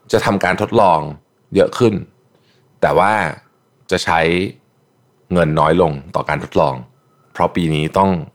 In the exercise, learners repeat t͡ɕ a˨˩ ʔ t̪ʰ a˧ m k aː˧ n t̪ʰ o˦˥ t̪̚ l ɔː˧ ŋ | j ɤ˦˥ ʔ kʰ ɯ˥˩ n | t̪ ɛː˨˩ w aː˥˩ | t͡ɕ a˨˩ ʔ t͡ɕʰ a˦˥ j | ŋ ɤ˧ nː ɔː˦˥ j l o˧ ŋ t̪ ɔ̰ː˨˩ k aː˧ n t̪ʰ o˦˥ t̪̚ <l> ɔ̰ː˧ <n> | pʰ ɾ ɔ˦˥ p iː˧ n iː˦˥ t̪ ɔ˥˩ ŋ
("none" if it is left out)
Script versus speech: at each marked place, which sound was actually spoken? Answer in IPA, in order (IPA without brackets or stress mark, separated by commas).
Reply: l, ŋ